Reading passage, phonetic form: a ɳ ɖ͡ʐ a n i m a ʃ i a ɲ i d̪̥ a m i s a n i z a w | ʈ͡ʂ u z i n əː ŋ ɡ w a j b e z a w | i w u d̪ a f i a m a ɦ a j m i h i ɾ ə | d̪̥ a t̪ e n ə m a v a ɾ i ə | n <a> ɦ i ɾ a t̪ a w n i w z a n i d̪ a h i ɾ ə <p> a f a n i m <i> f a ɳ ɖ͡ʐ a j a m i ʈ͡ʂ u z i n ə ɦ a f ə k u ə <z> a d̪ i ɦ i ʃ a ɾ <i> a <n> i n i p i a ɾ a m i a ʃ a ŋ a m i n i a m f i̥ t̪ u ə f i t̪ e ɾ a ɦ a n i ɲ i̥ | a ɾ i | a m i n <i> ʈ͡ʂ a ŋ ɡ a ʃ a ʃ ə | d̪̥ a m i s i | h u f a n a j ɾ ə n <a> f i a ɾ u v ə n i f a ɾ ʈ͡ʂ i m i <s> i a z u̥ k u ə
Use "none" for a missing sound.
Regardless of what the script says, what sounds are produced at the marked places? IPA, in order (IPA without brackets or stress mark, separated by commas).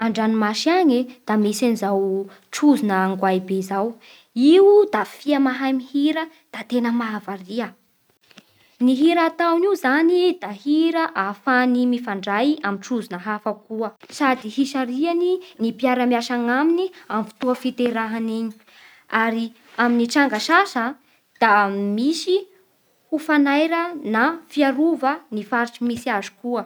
i, ʔ, i, s, i, n, i, a, s